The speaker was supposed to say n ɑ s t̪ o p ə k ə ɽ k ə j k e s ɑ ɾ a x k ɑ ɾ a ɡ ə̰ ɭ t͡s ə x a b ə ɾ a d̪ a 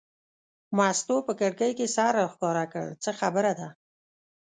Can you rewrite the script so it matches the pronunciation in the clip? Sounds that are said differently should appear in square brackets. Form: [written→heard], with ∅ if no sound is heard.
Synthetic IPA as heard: [n→m] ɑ s t̪ o p ə k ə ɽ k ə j k e s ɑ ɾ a x k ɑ ɾ a [ɡ→k] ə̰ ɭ t͡s ə x a b ə ɾ a d̪ a